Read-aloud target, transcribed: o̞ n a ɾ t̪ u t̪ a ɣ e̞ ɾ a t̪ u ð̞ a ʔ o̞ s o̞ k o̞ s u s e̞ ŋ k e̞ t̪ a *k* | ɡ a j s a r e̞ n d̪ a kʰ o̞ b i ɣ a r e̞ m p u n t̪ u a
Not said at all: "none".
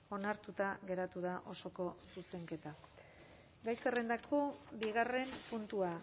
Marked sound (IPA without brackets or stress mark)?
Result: none